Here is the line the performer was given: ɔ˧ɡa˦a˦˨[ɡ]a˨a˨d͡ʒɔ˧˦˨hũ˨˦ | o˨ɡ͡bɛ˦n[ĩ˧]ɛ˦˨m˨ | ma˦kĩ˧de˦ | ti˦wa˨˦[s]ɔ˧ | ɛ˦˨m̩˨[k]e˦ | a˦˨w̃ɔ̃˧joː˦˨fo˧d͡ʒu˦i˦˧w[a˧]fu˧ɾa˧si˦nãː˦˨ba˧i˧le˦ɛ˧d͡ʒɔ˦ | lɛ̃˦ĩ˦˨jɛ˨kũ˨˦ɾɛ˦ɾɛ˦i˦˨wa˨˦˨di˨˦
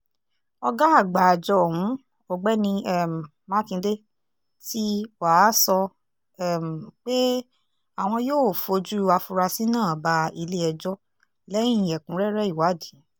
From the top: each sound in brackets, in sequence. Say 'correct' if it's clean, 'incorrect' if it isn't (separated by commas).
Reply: incorrect, correct, correct, incorrect, correct